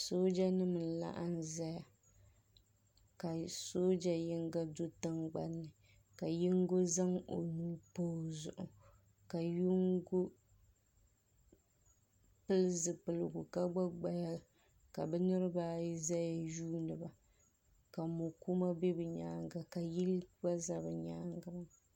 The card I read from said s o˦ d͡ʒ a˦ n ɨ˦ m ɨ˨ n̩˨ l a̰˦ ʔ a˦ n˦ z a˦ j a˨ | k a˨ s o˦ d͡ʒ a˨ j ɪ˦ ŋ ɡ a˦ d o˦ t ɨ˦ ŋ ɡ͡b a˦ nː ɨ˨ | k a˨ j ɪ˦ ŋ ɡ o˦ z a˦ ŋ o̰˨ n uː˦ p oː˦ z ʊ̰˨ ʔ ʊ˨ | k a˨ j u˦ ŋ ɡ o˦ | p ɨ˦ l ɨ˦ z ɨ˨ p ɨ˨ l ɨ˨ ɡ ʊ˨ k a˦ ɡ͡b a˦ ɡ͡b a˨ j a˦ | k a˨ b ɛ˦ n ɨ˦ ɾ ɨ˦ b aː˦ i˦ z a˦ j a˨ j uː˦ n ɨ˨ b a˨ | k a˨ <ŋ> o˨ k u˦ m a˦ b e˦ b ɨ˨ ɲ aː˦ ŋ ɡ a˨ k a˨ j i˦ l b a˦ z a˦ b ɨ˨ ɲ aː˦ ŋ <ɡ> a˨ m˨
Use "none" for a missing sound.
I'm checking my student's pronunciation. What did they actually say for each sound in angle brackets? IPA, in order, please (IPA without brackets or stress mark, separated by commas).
m, ɡ